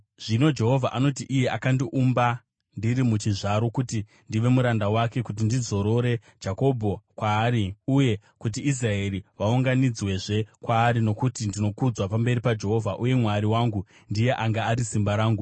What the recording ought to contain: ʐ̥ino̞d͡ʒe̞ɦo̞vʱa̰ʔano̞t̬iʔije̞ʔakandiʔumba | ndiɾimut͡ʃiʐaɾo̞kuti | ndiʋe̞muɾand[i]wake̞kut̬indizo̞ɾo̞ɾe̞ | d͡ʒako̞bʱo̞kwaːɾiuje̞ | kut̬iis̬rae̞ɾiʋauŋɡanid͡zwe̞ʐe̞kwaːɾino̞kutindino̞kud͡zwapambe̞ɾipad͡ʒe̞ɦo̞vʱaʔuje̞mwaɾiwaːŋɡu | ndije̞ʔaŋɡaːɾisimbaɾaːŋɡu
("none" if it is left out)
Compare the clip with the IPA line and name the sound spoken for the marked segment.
a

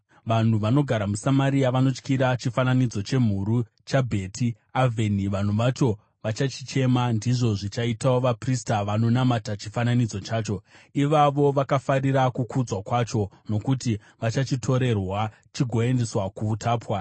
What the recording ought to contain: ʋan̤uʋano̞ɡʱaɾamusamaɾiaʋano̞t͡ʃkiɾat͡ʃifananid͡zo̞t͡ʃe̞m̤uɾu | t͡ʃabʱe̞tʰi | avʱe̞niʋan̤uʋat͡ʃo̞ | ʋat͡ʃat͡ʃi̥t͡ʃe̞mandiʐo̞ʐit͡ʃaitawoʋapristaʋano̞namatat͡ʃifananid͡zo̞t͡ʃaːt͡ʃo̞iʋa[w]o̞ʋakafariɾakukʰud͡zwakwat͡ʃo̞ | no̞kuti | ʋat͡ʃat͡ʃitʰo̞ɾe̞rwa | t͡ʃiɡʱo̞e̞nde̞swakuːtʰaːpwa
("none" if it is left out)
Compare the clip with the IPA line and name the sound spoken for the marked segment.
ʋ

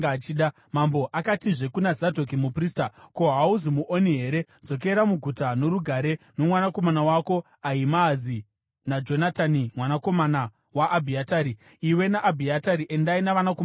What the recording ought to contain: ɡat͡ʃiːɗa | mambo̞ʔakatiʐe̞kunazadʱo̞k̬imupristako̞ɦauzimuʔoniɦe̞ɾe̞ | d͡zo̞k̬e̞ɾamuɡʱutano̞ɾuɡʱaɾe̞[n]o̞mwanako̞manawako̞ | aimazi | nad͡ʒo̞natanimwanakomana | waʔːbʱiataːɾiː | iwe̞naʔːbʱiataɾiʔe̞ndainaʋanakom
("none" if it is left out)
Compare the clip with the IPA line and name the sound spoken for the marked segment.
n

